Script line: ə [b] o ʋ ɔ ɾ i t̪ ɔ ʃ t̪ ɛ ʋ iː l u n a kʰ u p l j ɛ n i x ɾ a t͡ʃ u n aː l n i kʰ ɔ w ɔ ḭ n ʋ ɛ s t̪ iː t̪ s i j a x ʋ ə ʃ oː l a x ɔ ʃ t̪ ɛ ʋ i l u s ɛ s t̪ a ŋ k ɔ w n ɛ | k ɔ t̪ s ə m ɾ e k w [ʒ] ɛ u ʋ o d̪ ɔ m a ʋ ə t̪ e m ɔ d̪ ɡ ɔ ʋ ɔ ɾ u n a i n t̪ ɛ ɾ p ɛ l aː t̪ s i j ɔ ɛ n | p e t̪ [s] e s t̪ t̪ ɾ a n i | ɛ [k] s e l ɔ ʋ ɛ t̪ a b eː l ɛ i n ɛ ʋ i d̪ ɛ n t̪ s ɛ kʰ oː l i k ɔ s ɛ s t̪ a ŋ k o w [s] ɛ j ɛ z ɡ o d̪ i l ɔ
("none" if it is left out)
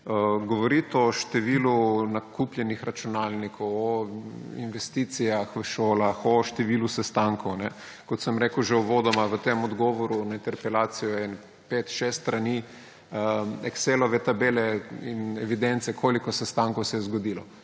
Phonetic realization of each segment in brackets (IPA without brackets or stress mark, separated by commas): ɡ, ʒ, ʃ, k, s